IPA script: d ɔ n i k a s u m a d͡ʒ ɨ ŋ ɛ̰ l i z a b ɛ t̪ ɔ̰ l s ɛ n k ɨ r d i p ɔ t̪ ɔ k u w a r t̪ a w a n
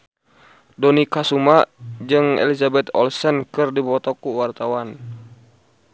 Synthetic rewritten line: d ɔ n i k a s u m a d͡ʒ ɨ ŋ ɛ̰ l i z a b ɛ t̪ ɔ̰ l s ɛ n k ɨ r d i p ɔ t̪ ɔ k u w a r t̪ a w a n

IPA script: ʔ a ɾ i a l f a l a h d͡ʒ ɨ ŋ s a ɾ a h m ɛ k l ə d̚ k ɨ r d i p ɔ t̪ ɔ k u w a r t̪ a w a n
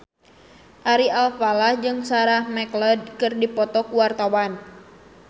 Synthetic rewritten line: ʔ a ɾ i a l f a l a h d͡ʒ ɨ ŋ s a ɾ a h m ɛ k l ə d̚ k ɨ r d i p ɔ t̪ ɔ k u w a r t̪ a w a n

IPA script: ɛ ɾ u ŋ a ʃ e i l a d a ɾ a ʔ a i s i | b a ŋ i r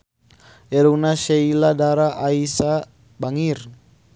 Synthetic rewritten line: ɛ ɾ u n a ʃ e i l a d a ɾ a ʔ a i s a | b a ŋ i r

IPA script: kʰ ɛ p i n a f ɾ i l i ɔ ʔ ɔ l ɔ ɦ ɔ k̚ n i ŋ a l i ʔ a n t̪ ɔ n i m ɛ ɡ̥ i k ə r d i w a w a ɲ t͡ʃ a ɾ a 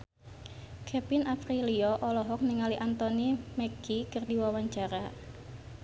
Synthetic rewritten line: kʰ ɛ p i n a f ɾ i l i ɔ ʔ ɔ l ɔ ɦ ɔ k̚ n i ŋ a l i ʔ a n t̪ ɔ n i m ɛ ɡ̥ i k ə r d i w a w a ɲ t͡ʃ a ɾ a

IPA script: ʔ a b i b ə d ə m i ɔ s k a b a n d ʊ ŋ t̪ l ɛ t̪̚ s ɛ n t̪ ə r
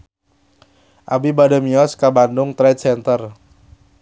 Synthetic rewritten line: ʔ a b i b a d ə m i ɔ s k a b a n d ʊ ŋ t̪ ɾ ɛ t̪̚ s ɛ n t̪ ə r

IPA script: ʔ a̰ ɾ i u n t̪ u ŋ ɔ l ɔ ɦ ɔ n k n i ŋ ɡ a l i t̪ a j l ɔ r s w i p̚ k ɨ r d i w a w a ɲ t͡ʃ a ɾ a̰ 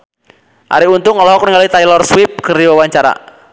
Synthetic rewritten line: ʔ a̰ ɾ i u n t̪ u ŋ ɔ l ɔ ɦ ɔ k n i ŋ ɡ a l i t̪ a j l ɔ r s w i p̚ k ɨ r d i w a w a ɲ t͡ʃ a ɾ a̰

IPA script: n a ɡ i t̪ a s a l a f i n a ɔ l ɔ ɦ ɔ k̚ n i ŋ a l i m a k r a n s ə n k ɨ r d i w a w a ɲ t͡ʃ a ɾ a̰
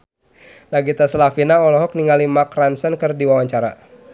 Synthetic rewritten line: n a ɡ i t̪ a s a l a f i n a ɔ l ɔ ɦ ɔ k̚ n i ŋ a l i m a k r a n s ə n k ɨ r d i w a w a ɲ t͡ʃ a ɾ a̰

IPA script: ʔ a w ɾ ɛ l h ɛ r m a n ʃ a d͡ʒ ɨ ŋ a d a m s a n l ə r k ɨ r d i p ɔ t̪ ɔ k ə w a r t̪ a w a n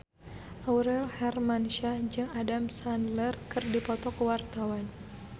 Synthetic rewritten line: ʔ a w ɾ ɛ l h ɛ r m a n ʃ a d͡ʒ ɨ ŋ a d a m s a n l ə r k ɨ r d i p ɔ t̪ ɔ k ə w a r t̪ a w a n

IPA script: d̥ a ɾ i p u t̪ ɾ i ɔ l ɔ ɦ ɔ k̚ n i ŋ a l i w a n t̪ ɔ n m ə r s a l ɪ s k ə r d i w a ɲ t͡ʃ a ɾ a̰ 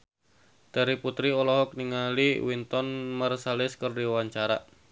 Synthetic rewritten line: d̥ a ɾ i p u t̪ ɾ i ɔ l ɔ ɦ ɔ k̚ n i ŋ a l i w i n t̪ ɔ n m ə r s a l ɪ s k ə r d i w a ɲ t͡ʃ a ɾ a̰

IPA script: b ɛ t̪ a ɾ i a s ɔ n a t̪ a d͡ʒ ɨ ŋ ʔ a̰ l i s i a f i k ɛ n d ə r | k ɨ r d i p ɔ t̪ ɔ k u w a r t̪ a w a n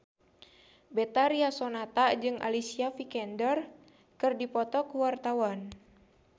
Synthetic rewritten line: b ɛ t̪ a ɾ i a s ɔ n a t̪ a d͡ʒ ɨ ŋ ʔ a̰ l i s i a f i k ɛ n d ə r | k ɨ r d i p ɔ t̪ ɔ k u w a r t̪ a w a n

